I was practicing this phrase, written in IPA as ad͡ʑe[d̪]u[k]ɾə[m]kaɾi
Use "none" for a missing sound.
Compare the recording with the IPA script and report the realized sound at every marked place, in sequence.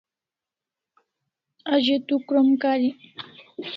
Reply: t̪, k, m

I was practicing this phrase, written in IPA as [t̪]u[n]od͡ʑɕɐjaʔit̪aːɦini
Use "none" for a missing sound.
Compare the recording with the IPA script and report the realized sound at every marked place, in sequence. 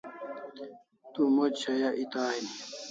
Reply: t̪, m

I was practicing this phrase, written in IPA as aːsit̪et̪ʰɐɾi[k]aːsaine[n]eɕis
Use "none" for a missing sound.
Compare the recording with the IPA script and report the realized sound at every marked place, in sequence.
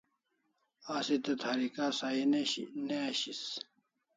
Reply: k, n

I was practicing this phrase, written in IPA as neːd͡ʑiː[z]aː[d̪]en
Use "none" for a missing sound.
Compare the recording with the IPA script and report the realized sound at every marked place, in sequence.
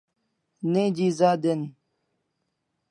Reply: z, d̪

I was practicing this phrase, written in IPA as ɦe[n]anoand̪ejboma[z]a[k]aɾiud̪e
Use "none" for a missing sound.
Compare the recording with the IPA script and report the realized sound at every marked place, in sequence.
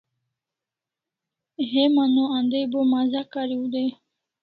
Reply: m, z, k

